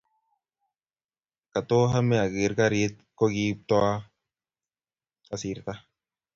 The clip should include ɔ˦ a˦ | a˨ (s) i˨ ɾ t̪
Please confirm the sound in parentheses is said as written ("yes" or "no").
yes